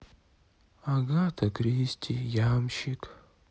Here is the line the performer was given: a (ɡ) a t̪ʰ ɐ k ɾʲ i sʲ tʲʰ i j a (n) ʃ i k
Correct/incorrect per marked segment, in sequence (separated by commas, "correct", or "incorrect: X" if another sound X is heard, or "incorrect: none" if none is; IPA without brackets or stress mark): correct, incorrect: m